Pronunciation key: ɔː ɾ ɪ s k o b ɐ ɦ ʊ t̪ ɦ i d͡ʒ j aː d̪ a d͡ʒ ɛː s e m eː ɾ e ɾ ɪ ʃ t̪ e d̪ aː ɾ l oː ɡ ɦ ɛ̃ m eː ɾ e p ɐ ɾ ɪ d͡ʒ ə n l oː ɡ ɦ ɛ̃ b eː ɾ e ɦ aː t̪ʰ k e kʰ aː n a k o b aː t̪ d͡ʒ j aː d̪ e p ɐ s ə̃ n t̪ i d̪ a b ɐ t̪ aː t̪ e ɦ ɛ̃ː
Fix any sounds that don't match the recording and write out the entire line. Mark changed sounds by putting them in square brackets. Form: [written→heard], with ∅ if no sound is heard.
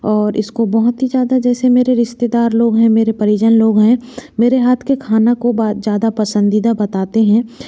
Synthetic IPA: ɔː ɾ ɪ s k o b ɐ ɦ ʊ t̪ ɦ i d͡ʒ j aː d̪ a d͡ʒ ɛː s e m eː ɾ e ɾ ɪ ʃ t̪ e d̪ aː ɾ l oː ɡ ɦ ɛ̃ m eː ɾ e p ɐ ɾ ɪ d͡ʒ ə n l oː ɡ ɦ ɛ̃ [b→m] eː ɾ e ɦ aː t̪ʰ k e kʰ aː n a k o b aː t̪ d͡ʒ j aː d̪ [e→a] p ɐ s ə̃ n [t̪→d̪] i d̪ a b ɐ t̪ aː t̪ e ɦ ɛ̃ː

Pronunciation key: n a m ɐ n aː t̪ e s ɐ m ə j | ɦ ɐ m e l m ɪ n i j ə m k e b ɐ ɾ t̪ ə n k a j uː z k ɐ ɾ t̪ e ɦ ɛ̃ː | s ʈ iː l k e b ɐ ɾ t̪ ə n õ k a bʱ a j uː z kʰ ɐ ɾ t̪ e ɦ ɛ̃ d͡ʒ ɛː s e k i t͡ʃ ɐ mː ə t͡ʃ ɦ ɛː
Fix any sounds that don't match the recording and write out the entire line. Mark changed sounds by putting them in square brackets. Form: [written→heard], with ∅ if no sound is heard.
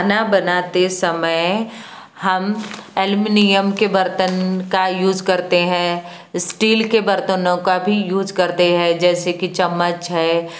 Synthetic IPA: n a [m→b] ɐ n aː t̪ e s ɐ m ə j | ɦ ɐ m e l m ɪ n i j ə m k e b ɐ ɾ t̪ ə n k a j uː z k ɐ ɾ t̪ e ɦ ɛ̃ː | s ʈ iː l k e b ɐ ɾ t̪ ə n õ k a bʱ [a→i] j uː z [kʰ→k] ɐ ɾ t̪ e ɦ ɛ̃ d͡ʒ ɛː s e k i t͡ʃ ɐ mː ə t͡ʃ ɦ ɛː

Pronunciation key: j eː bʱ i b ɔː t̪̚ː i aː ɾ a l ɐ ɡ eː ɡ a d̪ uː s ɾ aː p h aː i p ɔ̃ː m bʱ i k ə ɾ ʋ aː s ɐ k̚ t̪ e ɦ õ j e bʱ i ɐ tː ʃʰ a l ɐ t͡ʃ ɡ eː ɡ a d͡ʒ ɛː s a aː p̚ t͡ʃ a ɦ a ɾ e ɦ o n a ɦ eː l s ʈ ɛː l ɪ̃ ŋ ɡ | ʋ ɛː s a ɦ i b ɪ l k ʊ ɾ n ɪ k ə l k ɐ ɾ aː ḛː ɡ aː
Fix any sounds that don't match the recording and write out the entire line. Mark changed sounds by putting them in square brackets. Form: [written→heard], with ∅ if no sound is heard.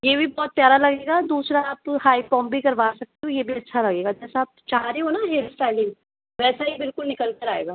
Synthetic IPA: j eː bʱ i b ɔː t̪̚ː [i→j] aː ɾ a l ɐ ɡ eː ɡ a d̪ uː s ɾ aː p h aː i p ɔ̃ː m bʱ i k [ə→ɐ] ɾ ʋ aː s ɐ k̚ t̪ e ɦ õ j e bʱ i ɐ tː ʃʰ a l ɐ [t͡ʃ→∅] ɡ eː ɡ a d͡ʒ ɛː s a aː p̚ t͡ʃ a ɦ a ɾ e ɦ o n a ɦ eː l s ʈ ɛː l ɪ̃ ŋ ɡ | ʋ ɛː s a ɦ i b ɪ l k ʊ [ɾ→l] n ɪ k ə l k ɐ ɾ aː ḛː ɡ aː

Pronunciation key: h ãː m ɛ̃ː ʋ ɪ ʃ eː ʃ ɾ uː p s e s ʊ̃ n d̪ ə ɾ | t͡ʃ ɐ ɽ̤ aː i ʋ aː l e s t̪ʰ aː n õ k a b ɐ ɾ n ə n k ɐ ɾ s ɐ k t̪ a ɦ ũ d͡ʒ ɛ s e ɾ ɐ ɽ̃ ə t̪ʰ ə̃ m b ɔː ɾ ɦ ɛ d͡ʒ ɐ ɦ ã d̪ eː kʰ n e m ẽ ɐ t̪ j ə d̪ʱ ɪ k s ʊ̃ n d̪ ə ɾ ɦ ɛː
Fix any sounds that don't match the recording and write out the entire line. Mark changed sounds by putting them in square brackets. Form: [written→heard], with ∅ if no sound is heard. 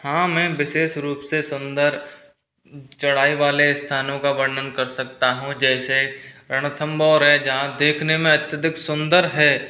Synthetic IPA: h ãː m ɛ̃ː ʋ ɪ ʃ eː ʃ ɾ uː p s e s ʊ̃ n d̪ ə ɾ | t͡ʃ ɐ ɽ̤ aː i ʋ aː l e s t̪ʰ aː n õ k a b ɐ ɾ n ə n k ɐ ɾ s ɐ k t̪ a ɦ ũ d͡ʒ [ɛ→ɛː] s e ɾ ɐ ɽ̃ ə t̪ʰ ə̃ m b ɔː ɾ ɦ ɛ d͡ʒ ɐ ɦ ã d̪ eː kʰ n e m ẽ ɐ t̪ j ə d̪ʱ ɪ k s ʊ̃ n d̪ ə ɾ ɦ ɛː

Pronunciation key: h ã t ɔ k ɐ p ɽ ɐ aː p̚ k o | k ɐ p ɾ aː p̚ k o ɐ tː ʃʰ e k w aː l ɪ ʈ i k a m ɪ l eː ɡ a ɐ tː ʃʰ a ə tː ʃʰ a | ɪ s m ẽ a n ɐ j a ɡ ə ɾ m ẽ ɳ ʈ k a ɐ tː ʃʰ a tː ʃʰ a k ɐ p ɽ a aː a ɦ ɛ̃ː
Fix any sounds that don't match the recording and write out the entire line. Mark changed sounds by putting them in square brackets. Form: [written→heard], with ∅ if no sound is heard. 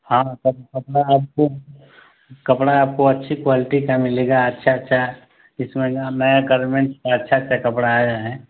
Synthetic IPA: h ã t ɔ k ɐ p ɽ [ɐ→a] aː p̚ k o | k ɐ p [ɾ→ɽ] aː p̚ k o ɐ tː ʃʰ [e→i] k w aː l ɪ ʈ i k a m ɪ l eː ɡ a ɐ tː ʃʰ a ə tː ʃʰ a | ɪ s m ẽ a n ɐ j a ɡ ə ɾ m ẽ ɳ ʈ k a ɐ tː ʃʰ a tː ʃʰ a k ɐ p ɽ a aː a ɦ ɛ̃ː

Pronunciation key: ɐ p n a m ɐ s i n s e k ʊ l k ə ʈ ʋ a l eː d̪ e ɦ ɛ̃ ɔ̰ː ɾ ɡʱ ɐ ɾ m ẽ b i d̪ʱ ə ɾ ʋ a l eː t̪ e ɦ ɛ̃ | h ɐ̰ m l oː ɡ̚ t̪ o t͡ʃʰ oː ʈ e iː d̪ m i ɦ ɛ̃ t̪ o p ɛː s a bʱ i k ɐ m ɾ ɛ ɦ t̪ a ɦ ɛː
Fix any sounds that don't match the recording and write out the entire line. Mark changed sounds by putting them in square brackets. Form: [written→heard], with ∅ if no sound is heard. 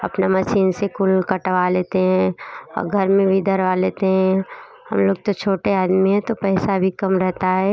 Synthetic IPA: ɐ p n a m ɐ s [i→iː] n s e k ʊ l k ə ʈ ʋ a l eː [d̪→t̪] e ɦ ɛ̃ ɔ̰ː ɾ ɡʱ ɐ ɾ m ẽ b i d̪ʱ ə ɾ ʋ a l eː t̪ e ɦ ɛ̃ | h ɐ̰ m l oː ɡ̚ t̪ o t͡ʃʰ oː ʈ e [iː→aː] d̪ m i ɦ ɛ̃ t̪ o p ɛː s a bʱ i k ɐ m ɾ ɛ ɦ t̪ a ɦ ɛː

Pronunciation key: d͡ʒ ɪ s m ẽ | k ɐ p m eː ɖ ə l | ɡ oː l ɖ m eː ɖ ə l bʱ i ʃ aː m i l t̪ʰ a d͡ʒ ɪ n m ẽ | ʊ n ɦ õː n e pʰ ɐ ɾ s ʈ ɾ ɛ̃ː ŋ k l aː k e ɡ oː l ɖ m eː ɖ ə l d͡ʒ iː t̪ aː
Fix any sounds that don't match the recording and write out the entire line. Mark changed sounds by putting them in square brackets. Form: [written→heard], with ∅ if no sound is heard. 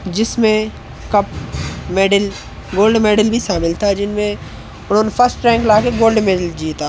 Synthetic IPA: d͡ʒ ɪ s m ẽ | k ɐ p m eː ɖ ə l | ɡ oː l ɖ m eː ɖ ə l bʱ i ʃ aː m [i→ɪ] l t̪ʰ a d͡ʒ ɪ n m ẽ | ʊ n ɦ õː n e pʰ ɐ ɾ s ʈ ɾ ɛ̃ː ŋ k l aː k e ɡ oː l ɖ m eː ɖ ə l d͡ʒ iː t̪ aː

